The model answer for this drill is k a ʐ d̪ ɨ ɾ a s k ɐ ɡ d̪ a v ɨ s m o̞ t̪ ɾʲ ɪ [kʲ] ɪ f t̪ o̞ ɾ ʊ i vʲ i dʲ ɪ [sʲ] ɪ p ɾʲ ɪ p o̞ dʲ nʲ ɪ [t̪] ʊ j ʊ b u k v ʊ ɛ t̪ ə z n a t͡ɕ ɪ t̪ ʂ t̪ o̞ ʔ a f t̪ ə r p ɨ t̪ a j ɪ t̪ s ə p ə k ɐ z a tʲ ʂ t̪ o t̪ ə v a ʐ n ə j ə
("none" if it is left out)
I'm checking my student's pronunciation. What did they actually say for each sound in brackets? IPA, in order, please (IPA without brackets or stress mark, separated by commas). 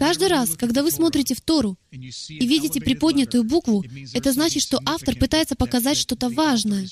tʲ, tʲ, t̪